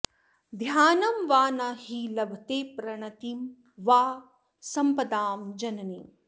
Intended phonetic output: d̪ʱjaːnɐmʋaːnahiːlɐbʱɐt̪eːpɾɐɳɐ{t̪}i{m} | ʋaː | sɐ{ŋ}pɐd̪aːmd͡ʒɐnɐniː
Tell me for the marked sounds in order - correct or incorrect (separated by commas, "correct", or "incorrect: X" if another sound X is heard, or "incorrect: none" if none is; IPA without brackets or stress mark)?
correct, correct, incorrect: m